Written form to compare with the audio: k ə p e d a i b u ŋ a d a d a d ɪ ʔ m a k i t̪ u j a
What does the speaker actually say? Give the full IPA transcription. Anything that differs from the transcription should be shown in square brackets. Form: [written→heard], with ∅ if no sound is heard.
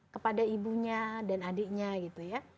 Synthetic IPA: k ə p [e→a] d a i b u [ŋ→ɲ] a d a [d→n] a d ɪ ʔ [m→ɲ] a [k→ɡ] i t̪ u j a